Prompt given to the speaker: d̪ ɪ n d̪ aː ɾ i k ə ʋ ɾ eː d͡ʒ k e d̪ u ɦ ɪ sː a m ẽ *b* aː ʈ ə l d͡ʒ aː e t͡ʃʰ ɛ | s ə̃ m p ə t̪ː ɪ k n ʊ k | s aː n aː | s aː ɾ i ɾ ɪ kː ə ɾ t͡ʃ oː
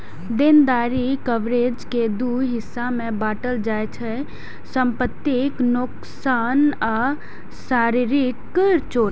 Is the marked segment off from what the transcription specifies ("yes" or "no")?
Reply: no